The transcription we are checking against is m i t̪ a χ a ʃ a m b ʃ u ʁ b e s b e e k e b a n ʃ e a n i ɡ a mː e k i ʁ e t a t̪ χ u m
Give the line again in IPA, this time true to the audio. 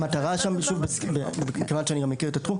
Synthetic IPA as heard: m a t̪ a ʁ a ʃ a m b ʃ u v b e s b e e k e v a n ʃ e a n i ɡ a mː e k i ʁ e t a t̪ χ u m